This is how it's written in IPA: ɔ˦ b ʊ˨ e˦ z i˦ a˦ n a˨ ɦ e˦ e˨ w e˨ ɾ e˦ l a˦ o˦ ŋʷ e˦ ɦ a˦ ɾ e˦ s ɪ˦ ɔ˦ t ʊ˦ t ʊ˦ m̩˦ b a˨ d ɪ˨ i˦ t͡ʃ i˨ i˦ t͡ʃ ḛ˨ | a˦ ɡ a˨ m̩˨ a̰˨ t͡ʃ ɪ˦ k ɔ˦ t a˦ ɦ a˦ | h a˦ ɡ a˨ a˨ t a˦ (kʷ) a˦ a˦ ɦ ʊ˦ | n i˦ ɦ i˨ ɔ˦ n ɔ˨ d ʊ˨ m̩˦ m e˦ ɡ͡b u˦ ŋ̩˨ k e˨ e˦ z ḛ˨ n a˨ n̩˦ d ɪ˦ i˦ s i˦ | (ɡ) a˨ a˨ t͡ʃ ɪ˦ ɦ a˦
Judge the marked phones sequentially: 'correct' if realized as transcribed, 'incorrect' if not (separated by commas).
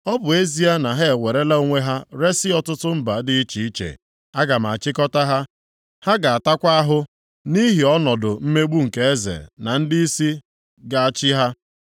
correct, correct